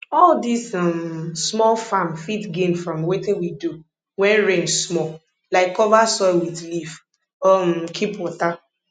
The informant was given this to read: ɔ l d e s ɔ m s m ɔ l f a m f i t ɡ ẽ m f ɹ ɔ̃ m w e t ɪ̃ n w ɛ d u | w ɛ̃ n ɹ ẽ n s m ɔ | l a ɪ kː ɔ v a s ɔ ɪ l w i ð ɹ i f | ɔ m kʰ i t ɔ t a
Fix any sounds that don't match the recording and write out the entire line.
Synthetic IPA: ɔ l d i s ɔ m s m ɔ l f a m f i t ɡ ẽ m f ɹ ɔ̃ m w e t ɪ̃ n w i d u | w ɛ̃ n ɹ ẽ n s m ɔ | l a ɪ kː ɔ v a s ɔ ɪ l w i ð l i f | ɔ m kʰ i p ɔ t a